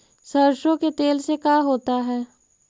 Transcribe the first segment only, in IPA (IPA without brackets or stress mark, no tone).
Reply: s